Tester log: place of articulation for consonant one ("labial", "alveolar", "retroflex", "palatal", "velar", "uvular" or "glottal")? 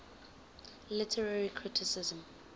alveolar